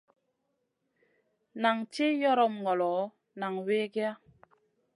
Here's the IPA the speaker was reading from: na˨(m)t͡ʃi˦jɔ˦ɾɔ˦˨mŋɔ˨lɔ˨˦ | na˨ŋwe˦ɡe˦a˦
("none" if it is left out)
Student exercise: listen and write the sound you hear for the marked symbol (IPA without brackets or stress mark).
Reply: ŋ